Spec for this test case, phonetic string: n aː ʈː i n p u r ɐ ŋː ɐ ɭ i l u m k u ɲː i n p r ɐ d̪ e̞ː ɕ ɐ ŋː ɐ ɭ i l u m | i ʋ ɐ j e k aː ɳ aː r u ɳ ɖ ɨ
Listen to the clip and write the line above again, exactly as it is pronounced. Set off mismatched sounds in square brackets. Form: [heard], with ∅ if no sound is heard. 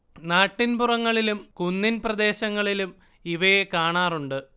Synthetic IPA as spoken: n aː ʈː i n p u r ɐ ŋː ɐ ɭ i l u m k u [nː] i n p r ɐ d̪ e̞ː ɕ ɐ ŋː ɐ ɭ i l u m | i ʋ ɐ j e k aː ɳ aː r u ɳ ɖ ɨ